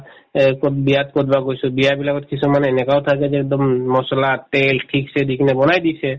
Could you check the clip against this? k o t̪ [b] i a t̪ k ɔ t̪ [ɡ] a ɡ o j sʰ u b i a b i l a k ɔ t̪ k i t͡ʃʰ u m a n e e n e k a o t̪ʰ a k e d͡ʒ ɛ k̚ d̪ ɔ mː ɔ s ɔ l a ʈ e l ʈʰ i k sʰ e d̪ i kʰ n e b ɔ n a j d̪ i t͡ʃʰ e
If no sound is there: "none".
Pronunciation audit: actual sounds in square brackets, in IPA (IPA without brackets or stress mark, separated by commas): b, b